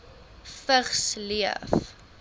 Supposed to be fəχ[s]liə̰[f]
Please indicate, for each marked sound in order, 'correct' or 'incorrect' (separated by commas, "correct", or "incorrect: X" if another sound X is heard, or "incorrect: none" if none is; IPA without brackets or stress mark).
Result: correct, correct